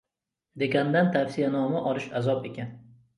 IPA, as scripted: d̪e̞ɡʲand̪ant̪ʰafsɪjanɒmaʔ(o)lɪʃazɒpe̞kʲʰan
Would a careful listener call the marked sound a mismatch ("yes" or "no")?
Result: yes